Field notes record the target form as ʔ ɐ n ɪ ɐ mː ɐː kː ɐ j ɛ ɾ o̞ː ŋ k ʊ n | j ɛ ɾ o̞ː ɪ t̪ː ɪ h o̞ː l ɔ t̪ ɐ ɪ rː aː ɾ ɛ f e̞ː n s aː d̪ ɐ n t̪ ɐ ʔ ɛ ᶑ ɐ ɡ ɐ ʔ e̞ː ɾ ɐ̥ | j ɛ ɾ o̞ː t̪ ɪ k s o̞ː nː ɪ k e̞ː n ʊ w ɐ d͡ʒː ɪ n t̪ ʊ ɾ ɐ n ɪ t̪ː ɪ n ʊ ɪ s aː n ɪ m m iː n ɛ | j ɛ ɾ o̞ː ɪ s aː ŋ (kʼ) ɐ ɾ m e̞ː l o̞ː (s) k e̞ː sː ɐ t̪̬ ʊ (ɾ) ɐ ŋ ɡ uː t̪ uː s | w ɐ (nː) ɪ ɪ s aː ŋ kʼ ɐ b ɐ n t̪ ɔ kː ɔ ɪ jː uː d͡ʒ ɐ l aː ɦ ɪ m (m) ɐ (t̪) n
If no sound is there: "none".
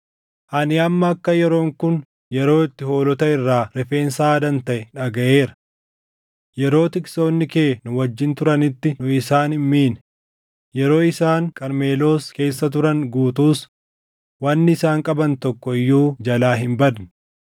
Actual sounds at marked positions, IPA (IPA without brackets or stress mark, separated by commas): kʼ, s, ɾ, nː, b, d̪